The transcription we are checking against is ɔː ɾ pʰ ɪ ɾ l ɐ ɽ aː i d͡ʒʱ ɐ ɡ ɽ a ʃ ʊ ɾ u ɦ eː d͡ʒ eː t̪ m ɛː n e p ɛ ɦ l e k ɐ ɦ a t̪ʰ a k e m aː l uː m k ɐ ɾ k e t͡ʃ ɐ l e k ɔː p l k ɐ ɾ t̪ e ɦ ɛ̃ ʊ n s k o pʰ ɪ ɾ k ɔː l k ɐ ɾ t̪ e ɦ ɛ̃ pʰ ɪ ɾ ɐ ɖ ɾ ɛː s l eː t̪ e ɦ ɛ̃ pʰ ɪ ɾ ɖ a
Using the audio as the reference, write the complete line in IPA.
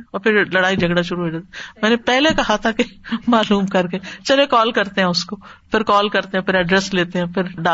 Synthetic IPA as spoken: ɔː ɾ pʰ ɪ ɾ l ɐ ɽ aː i d͡ʒʱ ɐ ɡ ɽ a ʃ ʊ ɾ u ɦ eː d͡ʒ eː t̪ m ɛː n e p ɛ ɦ l e k ɐ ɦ a t̪ʰ a k e m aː l uː m k ɐ ɾ k e t͡ʃ ɐ l e k ɔː l k ɐ ɾ t̪ e ɦ ɛ̃ ʊ s k o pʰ ɪ ɾ k ɔː l k ɐ ɾ t̪ e ɦ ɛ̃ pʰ ɪ ɾ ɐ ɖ ɾ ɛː s l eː t̪ e ɦ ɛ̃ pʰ ɪ ɾ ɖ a